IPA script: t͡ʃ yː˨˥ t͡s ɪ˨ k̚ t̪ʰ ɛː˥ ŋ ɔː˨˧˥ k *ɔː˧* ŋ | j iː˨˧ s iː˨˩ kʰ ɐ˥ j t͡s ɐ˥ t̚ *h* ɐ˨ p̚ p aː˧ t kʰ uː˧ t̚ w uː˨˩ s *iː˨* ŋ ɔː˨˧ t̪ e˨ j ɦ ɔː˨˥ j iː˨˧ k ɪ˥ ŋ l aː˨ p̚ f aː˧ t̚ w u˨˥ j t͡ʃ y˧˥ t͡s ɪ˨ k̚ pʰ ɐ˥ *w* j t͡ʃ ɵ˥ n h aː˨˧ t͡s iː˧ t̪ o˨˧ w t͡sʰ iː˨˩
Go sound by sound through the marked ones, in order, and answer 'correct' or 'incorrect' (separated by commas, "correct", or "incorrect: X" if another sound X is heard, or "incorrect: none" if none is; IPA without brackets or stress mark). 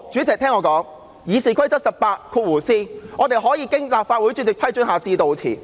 incorrect: ɔː˨˥, incorrect: s, incorrect: iː˥, incorrect: none